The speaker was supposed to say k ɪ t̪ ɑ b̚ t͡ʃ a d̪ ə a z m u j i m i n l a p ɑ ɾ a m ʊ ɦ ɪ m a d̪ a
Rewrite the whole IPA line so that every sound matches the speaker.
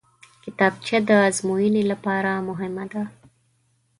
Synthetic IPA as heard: k ɪ t̪ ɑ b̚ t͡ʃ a d̪ ə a z m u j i n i l a p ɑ ɾ a m ʊ ɦ ɪ m a d̪ a